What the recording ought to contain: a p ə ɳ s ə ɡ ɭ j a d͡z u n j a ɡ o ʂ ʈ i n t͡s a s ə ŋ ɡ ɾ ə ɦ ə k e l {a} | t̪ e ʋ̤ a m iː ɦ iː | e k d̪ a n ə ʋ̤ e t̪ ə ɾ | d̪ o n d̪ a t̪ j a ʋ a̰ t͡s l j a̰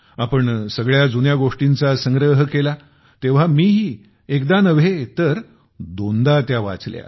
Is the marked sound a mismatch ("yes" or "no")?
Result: no